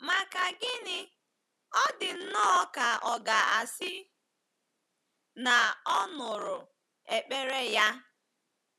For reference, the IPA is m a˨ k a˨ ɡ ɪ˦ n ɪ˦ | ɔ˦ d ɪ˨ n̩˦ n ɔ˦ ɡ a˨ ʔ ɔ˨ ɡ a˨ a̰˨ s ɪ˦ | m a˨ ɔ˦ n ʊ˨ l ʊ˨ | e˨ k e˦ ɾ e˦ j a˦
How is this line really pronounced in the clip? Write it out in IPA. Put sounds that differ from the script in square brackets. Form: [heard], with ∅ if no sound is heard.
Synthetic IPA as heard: m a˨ k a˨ ɡ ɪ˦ n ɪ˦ | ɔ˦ d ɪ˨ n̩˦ n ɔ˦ [k] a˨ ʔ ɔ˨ ɡ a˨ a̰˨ s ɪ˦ | [n] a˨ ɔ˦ n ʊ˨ [ɾ] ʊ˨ | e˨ [k͡p] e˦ ɾ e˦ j a˦